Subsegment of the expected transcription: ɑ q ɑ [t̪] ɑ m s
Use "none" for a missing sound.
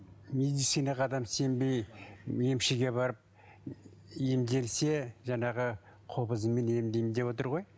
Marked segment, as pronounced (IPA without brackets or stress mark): d̪